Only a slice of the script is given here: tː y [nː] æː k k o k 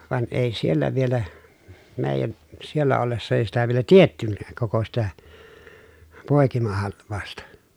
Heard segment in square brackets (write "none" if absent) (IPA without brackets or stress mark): nː